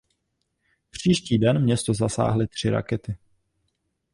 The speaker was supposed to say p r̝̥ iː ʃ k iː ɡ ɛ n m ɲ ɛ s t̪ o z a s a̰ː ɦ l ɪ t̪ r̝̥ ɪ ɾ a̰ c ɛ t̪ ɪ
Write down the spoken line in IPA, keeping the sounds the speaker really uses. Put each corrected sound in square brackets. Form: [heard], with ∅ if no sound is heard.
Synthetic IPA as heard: p r̝̥ iː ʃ [c] iː [d] ɛ n m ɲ ɛ s t̪ o z a s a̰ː ɦ l ɪ t̪ r̝̥ ɪ ɾ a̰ [k] ɛ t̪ ɪ